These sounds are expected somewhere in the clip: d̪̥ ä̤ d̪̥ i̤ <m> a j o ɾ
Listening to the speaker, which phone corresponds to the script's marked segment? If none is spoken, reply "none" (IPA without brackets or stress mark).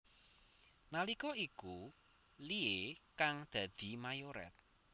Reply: m